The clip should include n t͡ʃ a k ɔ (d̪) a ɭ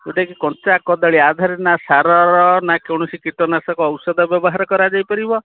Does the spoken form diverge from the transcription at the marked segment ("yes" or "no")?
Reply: no